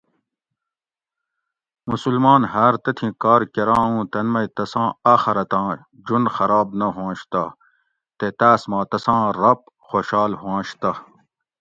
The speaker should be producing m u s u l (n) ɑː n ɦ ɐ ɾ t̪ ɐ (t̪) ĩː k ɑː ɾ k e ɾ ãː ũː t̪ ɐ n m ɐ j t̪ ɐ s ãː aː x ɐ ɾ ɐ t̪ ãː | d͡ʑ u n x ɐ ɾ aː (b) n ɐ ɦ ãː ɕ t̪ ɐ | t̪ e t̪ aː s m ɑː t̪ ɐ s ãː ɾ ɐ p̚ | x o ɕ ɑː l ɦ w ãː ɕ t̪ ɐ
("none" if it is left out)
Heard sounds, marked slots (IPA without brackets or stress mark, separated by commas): m, t̪ʰ, b